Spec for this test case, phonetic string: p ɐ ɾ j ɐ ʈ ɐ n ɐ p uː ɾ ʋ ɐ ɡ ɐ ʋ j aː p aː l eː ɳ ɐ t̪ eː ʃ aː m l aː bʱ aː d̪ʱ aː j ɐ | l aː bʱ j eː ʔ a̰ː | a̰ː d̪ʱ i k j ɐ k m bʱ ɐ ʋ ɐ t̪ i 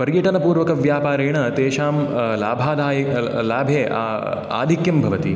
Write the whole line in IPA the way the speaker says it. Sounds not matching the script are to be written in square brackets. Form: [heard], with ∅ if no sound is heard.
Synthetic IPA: p ɐ ɾ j ɐ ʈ ɐ n ɐ p uː ɾ ʋ ɐ [k] ɐ ʋ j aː p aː [ɾ] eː ɳ ɐ t̪ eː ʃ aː m l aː bʱ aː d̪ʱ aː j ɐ | l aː bʱ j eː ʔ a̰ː | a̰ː d̪ʱ i k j ɐ [∅] m bʱ ɐ ʋ ɐ t̪ i